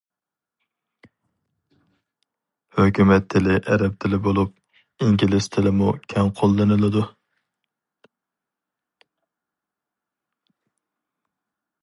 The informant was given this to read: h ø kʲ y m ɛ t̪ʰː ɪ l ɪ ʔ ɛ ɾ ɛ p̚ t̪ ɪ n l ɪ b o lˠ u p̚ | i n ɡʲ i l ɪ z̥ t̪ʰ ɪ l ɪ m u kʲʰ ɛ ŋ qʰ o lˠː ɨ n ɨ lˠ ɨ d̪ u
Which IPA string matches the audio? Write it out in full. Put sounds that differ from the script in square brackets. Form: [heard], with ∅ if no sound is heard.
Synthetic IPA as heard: h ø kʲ y m ɛ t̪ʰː ɪ l ɪ ʔ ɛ ɾ ɛ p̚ [t̪ʰ] ɪ [∅] l ɪ b o lˠ u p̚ | i [ŋ] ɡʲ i l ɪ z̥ t̪ʰ ɪ l ɪ m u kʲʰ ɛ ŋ qʰ o lˠː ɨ n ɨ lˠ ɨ d̪ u